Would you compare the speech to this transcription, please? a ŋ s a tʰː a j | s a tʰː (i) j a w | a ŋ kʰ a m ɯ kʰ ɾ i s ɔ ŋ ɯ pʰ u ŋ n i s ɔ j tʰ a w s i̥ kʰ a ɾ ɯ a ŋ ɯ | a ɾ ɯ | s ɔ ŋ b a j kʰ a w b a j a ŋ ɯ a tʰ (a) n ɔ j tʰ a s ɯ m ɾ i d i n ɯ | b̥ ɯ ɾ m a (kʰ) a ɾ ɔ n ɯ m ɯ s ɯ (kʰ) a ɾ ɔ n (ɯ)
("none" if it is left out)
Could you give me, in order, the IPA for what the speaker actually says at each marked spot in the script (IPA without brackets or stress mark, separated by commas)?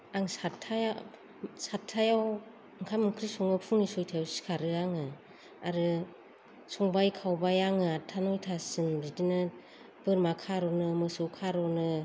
a, a, kʰ, kʰ, ɯ